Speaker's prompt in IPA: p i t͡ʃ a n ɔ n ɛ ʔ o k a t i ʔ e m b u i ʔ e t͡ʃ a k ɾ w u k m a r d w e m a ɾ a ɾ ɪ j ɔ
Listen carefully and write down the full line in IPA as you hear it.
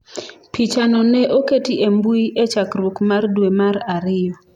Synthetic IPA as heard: p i t͡ʃ a n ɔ n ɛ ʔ o k e t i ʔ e m b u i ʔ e t͡ʃ a k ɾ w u k m a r d w e m a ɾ a ɾ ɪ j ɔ